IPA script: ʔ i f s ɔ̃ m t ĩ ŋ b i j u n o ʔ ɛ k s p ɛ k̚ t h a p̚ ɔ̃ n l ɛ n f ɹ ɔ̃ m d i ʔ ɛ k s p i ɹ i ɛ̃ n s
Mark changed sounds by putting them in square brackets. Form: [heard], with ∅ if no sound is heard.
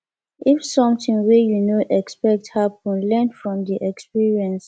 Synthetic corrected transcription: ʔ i f s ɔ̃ m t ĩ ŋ [w] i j u n o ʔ ɛ k s p ɛ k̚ t h a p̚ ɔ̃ n l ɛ n f ɹ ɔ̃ m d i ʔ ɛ k s p i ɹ i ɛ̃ n s